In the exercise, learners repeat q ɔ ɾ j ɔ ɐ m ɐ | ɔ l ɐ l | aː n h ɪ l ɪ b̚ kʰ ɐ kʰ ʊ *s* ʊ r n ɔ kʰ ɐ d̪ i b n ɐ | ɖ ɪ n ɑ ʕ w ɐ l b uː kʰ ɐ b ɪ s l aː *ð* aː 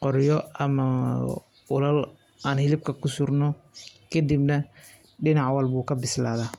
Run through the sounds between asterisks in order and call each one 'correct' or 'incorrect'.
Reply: correct, correct

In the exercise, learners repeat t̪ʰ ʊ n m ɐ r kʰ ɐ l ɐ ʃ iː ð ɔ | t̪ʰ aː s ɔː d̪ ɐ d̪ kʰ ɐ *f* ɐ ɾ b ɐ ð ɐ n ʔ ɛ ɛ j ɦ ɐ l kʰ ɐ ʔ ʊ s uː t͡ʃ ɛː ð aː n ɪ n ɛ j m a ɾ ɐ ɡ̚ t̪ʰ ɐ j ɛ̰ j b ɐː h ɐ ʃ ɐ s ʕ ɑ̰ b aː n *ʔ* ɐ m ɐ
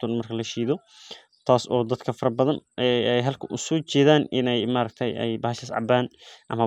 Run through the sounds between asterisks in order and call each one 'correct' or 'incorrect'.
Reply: correct, correct

